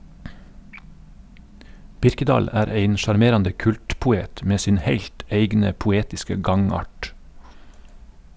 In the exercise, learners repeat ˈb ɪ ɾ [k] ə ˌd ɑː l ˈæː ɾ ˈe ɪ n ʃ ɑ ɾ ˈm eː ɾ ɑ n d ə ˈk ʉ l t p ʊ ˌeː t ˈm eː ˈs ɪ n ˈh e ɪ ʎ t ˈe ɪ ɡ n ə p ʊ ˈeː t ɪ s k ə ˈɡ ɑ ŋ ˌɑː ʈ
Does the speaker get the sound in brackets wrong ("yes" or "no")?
no